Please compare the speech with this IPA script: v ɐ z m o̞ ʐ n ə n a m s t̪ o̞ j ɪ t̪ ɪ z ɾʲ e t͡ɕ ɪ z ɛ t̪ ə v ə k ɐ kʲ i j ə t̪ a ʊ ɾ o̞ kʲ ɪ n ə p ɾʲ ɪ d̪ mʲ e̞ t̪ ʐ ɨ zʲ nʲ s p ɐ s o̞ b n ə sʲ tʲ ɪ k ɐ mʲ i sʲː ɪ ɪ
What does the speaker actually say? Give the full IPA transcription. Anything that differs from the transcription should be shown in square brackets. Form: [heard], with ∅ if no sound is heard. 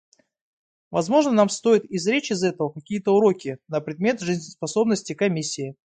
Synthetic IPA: v ɐ z m o̞ ʐ n ə n a m s t̪ o̞ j ɪ t̪ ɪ z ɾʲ e t͡ɕ ɪ z ɛ t̪ ə v ə k ɐ kʲ i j ə t̪ [ə] ʊ ɾ o̞ kʲ ɪ n ə p ɾʲ ɪ d̪ mʲ e̞ t̪ ʐ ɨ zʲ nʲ s p ɐ s o̞ b n ə sʲ tʲ ɪ k ɐ mʲ i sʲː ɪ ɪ